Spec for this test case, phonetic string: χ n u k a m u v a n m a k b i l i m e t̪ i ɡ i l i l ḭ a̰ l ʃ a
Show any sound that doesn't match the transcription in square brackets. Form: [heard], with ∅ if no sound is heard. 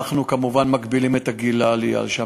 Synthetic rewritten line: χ n u k a m u v a n m a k b i l i m e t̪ [a] ɡ i l [a] l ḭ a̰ l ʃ a